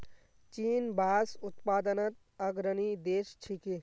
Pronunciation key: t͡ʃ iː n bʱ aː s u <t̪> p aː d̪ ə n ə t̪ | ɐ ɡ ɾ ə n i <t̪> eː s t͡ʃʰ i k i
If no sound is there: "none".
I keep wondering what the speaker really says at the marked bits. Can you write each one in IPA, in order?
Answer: t̪, d̪

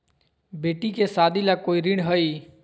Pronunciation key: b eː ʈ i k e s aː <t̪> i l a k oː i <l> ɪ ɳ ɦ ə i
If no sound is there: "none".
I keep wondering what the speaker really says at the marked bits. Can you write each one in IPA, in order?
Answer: d̪, ɾ

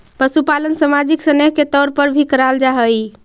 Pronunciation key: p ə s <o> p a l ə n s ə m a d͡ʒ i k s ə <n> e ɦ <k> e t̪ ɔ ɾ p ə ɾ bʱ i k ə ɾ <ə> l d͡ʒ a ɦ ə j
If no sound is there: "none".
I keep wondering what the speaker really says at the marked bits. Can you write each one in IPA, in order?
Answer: u, n, k, a

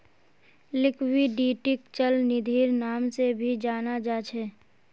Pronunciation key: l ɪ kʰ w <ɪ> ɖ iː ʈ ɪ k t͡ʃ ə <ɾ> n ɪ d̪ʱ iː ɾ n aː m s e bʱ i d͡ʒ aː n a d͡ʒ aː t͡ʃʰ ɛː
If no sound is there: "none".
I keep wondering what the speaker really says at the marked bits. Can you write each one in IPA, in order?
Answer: i, l

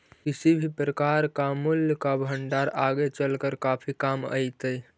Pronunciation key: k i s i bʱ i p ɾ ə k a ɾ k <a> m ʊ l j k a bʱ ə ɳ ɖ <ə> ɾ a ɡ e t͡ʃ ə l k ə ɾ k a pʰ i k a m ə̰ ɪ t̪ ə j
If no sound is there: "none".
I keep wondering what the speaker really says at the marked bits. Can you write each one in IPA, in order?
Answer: a, a

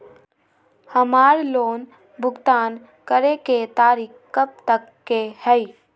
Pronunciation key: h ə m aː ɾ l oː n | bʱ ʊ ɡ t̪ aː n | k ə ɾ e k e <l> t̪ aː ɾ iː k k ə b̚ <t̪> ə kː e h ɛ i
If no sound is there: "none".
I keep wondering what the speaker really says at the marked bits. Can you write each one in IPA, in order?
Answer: none, t̪

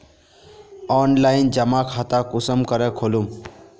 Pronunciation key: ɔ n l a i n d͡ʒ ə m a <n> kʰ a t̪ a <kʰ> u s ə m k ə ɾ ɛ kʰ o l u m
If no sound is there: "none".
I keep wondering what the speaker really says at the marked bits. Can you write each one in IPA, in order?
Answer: none, k

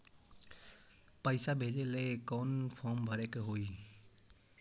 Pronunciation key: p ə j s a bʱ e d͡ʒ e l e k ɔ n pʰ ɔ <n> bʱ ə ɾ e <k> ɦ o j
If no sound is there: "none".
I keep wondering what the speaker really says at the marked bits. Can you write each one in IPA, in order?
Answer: m, k

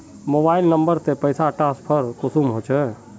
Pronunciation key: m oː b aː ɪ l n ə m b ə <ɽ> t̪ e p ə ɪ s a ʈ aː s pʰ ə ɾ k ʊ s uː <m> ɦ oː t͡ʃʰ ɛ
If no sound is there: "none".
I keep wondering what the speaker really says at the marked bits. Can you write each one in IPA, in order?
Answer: ɾ, m

